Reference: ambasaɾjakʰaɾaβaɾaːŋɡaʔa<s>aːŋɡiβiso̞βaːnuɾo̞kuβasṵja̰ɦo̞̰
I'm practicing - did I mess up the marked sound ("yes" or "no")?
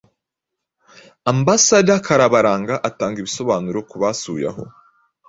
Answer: yes